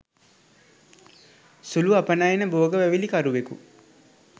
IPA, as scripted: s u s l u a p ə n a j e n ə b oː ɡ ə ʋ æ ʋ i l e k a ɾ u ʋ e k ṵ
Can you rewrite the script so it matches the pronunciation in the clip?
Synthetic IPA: s u l u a p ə n a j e n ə b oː ɡ ə ʋ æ ʋ i l i k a ɾ u ʋ e k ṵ